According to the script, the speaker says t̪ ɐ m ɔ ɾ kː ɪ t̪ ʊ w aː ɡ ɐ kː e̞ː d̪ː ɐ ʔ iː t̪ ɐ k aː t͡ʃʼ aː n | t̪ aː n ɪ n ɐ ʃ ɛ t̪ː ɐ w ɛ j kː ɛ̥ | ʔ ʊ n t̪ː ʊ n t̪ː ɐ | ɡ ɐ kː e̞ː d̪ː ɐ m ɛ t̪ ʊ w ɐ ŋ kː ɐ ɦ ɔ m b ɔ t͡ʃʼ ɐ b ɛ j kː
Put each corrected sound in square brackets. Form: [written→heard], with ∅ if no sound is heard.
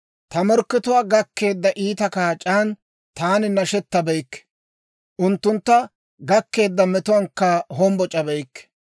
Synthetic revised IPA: t̪ ɐ m ɔ ɾ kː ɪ t̪ ʊ w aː ɡ ɐ kː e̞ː d̪ː ɐ ʔ iː t̪ ɐ k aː t͡ʃʼ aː n | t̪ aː n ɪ n ɐ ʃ ɛ t̪ː ɐ [w→b] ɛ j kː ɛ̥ | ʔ ʊ n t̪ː ʊ n t̪ː ɐ | ɡ ɐ kː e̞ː d̪ː ɐ m ɛ t̪ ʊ w ɐ ŋ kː ɐ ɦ ɔ m b ɔ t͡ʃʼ ɐ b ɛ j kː